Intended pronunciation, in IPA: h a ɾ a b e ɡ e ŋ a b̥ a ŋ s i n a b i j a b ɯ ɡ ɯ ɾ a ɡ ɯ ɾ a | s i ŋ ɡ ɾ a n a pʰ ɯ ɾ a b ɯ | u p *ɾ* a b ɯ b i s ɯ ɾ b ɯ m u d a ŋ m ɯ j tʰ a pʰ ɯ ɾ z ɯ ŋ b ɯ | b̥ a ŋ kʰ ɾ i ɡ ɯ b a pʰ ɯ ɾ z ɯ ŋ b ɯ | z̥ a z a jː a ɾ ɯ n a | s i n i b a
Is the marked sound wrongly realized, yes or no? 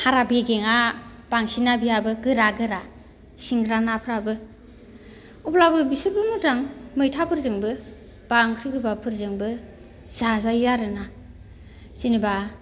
yes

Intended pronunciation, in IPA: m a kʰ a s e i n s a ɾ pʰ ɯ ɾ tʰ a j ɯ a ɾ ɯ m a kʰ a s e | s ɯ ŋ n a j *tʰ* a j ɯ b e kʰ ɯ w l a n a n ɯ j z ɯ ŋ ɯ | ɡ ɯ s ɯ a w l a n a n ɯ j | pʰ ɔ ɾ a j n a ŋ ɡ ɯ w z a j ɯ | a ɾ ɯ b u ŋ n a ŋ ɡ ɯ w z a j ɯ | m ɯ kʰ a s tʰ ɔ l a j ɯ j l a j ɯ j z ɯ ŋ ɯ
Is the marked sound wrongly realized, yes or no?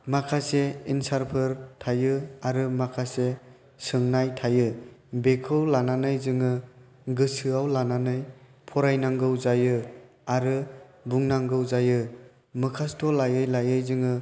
no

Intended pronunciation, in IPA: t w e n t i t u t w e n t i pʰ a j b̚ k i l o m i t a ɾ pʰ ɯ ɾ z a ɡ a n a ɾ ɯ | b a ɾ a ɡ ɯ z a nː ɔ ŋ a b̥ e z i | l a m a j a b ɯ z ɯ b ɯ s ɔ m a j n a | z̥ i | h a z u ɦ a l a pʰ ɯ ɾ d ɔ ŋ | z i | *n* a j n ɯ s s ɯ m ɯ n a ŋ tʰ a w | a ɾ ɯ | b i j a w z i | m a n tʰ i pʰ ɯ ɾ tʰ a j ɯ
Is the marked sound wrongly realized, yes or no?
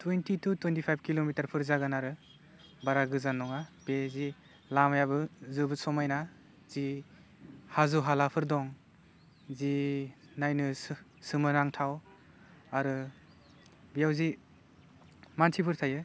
no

